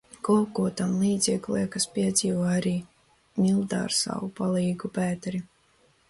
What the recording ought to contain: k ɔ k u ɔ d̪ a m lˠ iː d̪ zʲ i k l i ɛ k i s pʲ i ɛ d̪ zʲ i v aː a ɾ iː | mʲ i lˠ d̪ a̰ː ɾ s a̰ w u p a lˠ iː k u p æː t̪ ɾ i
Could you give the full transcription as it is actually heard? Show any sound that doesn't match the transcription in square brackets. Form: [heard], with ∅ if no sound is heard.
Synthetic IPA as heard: k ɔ k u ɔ [t̪] a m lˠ iː d̪ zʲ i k l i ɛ k [a] s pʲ i ɛ d̪ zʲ [iː] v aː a ɾ iː | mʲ i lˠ d̪ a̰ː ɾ s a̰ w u p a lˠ iː [ɡ] u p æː t̪ ɾ i